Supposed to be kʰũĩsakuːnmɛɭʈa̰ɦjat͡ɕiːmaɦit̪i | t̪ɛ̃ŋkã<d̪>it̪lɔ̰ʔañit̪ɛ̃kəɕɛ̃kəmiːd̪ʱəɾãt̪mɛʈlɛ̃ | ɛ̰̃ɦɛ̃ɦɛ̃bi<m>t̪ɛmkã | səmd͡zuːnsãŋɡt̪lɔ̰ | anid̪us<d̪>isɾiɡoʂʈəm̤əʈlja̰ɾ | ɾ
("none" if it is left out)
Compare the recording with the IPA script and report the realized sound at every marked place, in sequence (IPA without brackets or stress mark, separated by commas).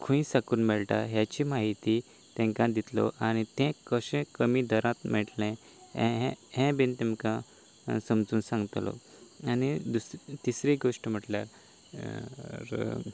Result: d̪, n, t̪